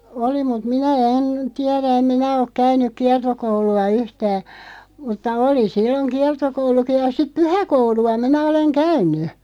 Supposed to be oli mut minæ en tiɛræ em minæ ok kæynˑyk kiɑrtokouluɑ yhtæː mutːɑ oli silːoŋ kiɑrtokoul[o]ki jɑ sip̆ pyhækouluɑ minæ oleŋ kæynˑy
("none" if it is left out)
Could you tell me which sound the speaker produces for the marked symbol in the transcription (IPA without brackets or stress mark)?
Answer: u